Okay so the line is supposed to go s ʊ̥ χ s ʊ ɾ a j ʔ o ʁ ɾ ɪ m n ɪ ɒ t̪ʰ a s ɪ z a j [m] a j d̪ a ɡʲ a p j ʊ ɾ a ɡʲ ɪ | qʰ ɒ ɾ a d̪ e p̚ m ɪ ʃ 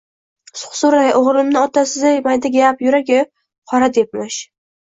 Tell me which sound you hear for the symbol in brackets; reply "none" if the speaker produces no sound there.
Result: m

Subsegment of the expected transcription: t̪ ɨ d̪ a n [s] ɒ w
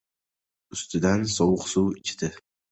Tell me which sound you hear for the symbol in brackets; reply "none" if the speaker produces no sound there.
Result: s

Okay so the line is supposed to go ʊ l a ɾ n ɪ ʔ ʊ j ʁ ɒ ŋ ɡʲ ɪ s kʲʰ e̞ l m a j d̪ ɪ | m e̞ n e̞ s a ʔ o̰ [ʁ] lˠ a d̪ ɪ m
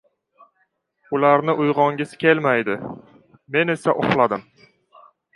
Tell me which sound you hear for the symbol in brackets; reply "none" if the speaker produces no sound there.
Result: χ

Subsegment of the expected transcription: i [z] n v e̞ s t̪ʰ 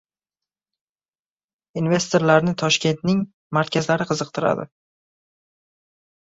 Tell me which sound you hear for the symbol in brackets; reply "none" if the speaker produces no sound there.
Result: none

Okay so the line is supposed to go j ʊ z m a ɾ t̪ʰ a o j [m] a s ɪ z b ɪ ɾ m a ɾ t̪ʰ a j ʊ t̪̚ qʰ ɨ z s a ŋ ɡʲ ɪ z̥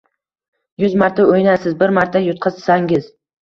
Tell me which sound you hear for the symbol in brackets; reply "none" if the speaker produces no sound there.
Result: n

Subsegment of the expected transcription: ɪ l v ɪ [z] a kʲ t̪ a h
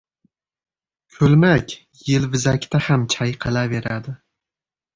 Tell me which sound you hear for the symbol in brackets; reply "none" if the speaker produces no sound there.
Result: z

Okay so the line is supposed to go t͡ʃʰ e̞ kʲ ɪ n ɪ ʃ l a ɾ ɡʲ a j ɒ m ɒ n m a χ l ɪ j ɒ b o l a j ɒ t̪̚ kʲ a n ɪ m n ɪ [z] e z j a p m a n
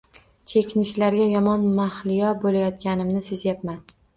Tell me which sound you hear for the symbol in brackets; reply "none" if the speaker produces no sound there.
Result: s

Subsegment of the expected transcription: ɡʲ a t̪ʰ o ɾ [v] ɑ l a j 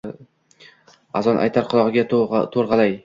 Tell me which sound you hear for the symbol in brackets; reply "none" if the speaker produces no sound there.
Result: ʁ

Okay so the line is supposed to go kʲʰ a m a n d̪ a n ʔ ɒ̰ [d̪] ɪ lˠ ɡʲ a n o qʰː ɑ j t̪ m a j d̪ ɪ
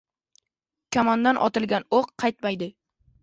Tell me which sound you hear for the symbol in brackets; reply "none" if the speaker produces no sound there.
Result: t̪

